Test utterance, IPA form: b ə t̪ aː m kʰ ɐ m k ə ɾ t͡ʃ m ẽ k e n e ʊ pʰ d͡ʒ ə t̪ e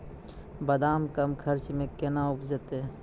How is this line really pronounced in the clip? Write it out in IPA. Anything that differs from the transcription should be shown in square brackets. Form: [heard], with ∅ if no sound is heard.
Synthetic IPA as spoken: b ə [d̪] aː m [k] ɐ m [kʰ] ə ɾ t͡ʃ m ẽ k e n [a] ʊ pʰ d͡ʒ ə t̪ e